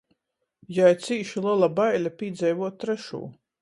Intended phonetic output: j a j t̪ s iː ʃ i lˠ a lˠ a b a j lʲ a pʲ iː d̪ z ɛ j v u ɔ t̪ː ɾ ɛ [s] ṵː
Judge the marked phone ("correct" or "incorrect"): incorrect